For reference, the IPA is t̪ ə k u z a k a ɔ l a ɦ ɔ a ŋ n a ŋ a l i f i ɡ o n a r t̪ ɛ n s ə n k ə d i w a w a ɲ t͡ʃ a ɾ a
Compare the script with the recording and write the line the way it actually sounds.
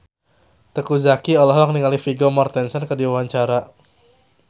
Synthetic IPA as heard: t̪ ə k u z a k i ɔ l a ɦ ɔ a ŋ n i ŋ a l i f i ɡ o m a r t̪ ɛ n s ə n k ə d i w a w a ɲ t͡ʃ a ɾ a